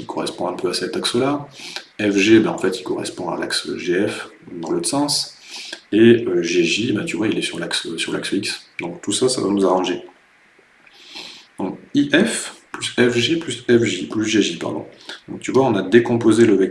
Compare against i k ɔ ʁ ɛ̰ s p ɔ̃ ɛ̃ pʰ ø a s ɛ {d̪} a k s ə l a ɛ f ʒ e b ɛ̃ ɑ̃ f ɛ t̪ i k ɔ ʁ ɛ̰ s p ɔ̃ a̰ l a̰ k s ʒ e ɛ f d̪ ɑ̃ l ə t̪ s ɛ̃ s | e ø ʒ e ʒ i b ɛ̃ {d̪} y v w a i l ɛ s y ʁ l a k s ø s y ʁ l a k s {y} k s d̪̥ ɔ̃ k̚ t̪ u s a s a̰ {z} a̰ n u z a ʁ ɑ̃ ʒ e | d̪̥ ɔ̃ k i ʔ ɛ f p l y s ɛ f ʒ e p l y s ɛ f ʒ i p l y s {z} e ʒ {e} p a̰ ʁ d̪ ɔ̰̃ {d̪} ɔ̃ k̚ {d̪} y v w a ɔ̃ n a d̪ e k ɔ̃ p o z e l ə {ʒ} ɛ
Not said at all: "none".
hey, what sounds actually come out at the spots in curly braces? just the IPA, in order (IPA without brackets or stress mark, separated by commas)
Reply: t̪, t̪, i, v, ʒ, i, d̪, t̪, v